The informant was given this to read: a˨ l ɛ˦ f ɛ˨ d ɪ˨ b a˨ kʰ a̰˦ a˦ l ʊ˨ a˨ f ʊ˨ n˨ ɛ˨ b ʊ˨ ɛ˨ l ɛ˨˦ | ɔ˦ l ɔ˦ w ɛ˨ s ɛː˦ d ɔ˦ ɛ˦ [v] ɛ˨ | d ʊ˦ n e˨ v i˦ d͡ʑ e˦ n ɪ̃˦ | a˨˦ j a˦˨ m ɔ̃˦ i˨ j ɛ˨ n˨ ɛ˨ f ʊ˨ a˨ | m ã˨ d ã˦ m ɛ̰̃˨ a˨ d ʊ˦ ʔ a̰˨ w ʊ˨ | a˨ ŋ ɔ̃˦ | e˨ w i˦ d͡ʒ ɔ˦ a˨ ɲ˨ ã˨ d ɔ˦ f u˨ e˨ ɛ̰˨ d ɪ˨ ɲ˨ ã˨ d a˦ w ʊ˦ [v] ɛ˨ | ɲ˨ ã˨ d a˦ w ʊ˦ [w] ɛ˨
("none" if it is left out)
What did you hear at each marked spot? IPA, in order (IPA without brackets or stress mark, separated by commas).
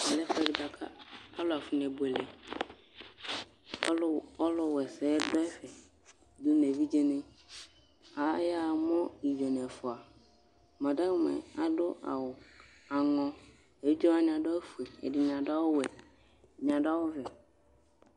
f, w, v